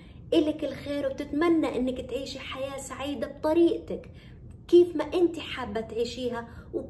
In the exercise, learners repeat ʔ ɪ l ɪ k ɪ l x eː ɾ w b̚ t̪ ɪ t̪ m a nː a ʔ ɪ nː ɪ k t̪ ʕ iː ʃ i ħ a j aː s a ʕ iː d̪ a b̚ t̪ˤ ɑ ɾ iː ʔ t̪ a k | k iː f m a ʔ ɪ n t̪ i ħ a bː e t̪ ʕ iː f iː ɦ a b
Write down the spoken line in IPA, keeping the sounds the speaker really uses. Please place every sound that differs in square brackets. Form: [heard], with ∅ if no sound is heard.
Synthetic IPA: ʔ ɪ l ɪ k ɪ l x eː ɾ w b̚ t̪ ɪ t̪ m a nː a ʔ ɪ nː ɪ k t̪ ʕ iː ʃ i ħ a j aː s a ʕ iː d̪ a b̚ t̪ˤ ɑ ɾ iː ʔ t̪ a k | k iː f m a ʔ ɪ n t̪ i ħ a bː [a] t̪ ʕ iː [ʃ] iː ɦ a [w]